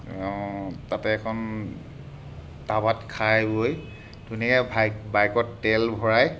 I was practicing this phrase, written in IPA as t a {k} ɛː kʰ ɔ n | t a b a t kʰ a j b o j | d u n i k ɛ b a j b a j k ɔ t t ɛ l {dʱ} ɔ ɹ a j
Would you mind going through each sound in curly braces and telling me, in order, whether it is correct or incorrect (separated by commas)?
incorrect, incorrect